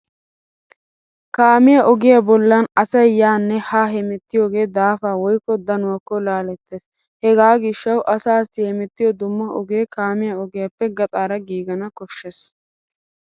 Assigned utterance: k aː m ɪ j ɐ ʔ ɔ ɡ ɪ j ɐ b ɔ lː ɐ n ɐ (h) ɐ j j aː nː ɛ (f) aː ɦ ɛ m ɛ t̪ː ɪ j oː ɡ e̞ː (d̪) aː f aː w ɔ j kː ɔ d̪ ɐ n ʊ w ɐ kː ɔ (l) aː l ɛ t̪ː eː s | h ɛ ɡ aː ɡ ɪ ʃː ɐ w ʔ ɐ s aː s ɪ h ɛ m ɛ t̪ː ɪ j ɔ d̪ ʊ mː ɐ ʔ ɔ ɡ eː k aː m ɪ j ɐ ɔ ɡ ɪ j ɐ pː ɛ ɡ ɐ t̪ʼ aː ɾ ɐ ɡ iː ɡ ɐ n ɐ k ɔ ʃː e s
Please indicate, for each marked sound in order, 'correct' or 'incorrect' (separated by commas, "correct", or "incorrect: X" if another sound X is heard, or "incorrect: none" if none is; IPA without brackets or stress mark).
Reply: incorrect: s, incorrect: h, correct, correct